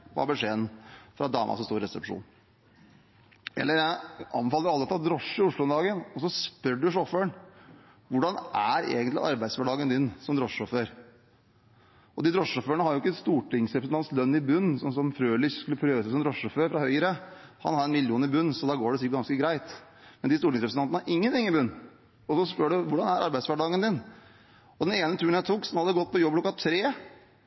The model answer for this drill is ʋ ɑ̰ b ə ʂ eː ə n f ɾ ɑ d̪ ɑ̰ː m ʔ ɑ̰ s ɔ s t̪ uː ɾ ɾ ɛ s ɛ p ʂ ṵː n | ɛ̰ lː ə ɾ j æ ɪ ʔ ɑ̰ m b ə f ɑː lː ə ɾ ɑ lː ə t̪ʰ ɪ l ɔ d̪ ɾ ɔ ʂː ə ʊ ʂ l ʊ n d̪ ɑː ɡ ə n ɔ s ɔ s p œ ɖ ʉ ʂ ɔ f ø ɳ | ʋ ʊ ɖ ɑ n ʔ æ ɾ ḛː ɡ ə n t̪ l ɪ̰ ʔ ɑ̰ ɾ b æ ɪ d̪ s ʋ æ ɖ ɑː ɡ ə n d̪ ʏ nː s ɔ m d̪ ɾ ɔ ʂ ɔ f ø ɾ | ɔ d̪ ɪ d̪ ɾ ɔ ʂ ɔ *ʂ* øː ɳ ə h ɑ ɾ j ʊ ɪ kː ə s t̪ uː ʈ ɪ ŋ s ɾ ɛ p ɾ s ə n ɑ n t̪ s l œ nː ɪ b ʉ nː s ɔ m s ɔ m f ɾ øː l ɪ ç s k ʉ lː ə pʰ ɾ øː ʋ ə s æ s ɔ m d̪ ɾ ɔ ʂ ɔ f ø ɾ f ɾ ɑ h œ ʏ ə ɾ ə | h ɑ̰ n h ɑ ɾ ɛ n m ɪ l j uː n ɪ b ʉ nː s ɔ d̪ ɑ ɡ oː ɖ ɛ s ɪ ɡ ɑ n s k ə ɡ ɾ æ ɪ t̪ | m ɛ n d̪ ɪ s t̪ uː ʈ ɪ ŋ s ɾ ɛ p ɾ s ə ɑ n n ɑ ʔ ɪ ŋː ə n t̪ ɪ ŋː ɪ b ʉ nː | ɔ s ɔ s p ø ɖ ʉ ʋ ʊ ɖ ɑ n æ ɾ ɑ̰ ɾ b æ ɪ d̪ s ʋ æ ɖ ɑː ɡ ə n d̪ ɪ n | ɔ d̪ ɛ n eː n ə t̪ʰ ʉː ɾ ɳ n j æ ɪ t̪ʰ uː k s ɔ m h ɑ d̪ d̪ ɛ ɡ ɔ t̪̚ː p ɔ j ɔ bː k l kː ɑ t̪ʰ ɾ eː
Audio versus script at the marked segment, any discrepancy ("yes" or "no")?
yes